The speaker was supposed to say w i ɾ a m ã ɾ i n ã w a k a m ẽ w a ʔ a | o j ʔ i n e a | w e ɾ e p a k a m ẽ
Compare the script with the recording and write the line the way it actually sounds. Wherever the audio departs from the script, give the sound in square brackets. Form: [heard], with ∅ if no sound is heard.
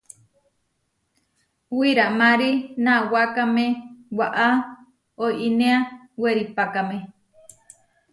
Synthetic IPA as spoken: w i ɾ a m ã ɾ i n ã w a k a m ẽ w a ʔ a | o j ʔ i n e a | w e ɾ [i] p a k a m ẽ